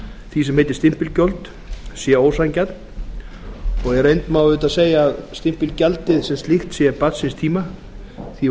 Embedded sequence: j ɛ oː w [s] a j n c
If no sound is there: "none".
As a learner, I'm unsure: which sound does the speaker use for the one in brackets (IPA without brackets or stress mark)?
s